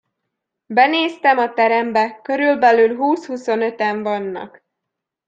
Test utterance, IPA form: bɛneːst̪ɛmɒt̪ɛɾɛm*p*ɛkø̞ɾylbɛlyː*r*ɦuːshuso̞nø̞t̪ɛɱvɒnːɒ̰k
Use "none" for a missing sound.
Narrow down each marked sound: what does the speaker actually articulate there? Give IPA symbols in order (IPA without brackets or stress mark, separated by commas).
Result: b, l